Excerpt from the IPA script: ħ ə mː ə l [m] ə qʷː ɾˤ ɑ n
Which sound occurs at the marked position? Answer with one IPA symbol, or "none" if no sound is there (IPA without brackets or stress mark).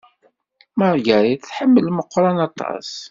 m